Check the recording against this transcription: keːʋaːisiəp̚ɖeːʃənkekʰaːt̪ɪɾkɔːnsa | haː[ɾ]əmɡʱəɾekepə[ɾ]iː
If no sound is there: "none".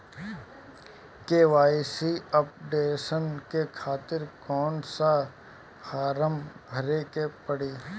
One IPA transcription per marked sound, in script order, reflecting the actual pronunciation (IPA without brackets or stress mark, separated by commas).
ɾ, ɽ